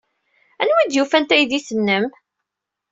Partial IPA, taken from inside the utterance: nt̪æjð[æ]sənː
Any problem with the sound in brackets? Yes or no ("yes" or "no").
yes